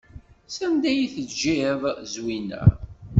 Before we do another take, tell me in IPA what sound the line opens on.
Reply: s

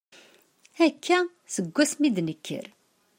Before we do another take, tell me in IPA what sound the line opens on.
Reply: æ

